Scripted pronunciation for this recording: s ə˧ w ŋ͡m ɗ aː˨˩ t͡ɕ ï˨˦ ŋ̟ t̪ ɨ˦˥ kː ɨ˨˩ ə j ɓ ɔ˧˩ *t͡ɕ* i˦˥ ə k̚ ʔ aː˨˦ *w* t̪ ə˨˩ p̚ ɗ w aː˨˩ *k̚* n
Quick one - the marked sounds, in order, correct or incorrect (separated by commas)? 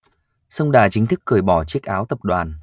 correct, correct, incorrect